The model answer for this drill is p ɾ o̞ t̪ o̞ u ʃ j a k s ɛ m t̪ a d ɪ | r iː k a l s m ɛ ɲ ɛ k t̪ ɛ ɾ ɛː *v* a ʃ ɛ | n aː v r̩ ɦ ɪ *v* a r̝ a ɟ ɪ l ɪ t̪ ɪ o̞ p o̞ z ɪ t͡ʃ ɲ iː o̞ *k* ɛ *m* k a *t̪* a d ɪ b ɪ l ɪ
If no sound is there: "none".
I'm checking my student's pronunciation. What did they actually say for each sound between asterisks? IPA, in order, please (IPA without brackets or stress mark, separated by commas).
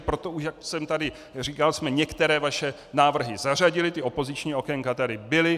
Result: v, z, k, ŋ, t̪